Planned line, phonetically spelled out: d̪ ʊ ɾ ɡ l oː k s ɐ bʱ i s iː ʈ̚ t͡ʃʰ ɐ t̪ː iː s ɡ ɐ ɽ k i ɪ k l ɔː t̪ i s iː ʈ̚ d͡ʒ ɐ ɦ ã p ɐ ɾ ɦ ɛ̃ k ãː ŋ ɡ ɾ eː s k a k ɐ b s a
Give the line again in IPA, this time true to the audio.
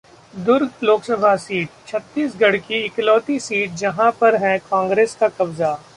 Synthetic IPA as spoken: d̪ ʊ ɾ ɡ l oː k s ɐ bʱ a s iː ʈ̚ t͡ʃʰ ɐ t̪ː iː s ɡ ɐ ɽ k i ɪ k l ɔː t̪ i s iː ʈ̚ d͡ʒ ɐ ɦ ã p ɐ ɾ ɦ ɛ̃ k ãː ŋ ɡ ɾ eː s k a k ɐ b z a

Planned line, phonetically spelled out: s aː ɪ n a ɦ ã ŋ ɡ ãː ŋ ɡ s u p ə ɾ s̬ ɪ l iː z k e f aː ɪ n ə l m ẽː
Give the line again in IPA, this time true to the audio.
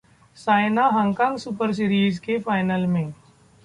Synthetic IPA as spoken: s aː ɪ n a ɦ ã ŋ k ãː ŋ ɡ s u p ə ɾ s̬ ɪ ɾ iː z k e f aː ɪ n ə l m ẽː

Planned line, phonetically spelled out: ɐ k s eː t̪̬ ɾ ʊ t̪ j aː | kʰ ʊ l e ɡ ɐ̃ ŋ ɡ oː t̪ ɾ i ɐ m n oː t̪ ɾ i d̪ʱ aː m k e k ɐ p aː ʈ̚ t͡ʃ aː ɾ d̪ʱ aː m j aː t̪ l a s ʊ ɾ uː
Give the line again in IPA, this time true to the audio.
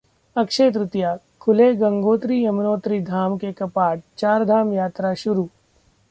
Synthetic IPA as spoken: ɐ k ʃ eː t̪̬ ɾ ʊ t̪ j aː | kʰ ʊ l e ɡ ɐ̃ ŋ ɡ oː t̪ ɾ i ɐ m n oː t̪ ɾ i d̪ʱ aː m k e k ɐ p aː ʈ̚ t͡ʃ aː ɾ d̪ʱ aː m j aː t̪ ɾ a ʃ ʊ ɾ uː

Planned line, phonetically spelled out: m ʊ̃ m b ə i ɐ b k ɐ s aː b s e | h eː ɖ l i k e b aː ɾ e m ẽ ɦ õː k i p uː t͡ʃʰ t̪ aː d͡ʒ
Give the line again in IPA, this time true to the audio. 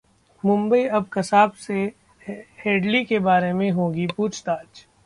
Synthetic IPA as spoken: m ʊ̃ m b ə i ɐ b k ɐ s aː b s e | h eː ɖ l i k e b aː ɾ e m ẽ ɦ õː ɡ i p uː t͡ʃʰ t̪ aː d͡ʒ

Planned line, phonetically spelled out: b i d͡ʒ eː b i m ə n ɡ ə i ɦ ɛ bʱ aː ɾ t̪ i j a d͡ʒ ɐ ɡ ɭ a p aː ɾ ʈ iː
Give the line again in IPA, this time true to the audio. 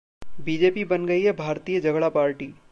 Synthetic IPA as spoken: b i d͡ʒ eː p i b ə n ɡ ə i ɦ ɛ bʱ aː ɾ t̪ i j ə d͡ʒ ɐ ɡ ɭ a p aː ɾ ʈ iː

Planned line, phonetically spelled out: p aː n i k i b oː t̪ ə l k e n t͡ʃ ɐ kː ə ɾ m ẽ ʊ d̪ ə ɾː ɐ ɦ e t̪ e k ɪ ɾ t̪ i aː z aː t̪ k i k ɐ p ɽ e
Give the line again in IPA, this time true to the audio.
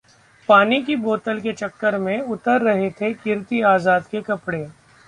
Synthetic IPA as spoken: p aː n i k i b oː t̪ ə l k e t͡ʃ ɐ kː ə ɾ m ẽ ʊ t̪ ə ɾː ɐ ɦ e t̪ʰ e k ɪ ɾ t̪ i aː z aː d̪ k e k ɐ p ɽ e

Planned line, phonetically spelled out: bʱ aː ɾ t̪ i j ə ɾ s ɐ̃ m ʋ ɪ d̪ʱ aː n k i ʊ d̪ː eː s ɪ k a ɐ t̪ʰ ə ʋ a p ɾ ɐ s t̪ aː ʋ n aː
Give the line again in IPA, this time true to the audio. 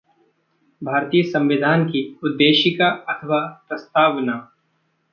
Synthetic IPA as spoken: bʱ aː ɾ t̪ i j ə s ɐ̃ m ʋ ɪ d̪ʱ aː n k i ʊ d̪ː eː ʃ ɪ k a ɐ t̪ʰ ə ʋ a p ɾ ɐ s t̪ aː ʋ n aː

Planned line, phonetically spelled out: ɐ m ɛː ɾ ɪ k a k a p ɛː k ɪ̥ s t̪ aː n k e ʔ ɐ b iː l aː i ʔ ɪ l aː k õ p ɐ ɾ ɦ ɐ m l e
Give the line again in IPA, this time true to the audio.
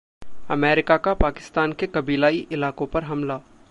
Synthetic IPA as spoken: ɐ m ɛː ɾ ɪ k a k a p aː k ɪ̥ s t̪ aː n k e k ɐ b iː l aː i ʔ ɪ l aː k õ p ɐ ɾ ɦ ɐ m l a

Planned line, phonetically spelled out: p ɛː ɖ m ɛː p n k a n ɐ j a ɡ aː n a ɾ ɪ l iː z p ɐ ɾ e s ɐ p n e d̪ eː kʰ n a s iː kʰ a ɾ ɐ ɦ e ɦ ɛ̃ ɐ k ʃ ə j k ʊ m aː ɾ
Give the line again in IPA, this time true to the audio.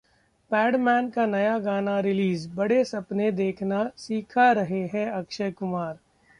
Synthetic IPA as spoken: p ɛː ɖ m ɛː n k a n ɐ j a ɡ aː n a ɾ ɪ l iː z b ɐ ɽ e s ɐ p n e d̪ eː kʰ n a s iː kʰ a ɾ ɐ ɦ e ɦ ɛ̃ ɐ k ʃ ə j k ʊ m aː ɾ

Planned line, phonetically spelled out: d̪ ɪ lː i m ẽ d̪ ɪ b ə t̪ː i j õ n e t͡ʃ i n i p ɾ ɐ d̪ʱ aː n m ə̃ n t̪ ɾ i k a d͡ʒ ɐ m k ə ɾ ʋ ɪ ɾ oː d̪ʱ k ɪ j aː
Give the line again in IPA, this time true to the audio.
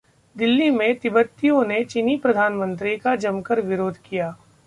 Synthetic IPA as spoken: d̪ ɪ lː i m ẽ t̪ ɪ b ə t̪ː i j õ n e t͡ʃ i n i p ɾ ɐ d̪ʱ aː n m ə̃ n t̪ ɾ i k a d͡ʒ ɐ m k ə ɾ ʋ ɪ ɾ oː d̪ʱ k i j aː

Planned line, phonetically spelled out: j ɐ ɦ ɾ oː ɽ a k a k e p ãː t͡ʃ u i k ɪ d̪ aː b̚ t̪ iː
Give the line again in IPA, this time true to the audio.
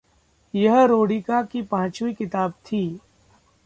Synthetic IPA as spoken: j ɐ ɦ ɾ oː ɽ i k a k i p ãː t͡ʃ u i k ɪ t̪ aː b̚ t̪ʰ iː

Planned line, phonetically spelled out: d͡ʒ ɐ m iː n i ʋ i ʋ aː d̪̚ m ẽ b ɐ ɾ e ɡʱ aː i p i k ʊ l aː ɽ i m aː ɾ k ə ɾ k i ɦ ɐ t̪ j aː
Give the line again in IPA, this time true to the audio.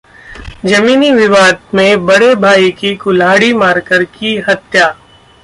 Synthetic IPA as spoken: d͡ʒ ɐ m iː n i ʋ ɪ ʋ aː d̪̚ m ẽ b ɐ ɽ e bʱ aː i k i k ʊ l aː ɽ i m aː ɾ k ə ɾ k i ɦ ɐ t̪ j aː

